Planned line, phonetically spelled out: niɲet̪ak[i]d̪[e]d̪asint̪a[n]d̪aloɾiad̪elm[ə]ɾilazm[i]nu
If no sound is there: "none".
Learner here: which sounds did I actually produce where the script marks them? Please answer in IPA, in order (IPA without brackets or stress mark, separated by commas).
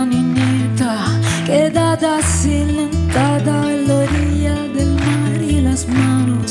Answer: e, a, none, a, a